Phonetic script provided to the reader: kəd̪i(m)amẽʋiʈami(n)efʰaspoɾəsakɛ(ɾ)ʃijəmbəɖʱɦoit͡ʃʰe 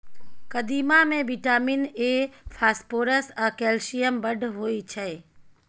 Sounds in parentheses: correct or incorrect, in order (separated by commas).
correct, correct, incorrect